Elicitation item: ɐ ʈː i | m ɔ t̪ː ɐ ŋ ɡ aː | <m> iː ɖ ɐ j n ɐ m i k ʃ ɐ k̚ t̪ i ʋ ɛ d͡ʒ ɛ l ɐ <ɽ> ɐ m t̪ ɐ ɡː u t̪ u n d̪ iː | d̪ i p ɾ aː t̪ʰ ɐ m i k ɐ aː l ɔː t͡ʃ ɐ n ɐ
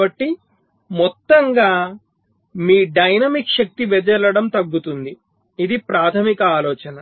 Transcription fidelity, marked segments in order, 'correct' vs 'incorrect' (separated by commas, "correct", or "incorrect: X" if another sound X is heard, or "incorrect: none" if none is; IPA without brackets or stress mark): correct, correct